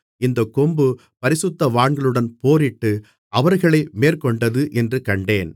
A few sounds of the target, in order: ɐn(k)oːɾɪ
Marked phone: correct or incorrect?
incorrect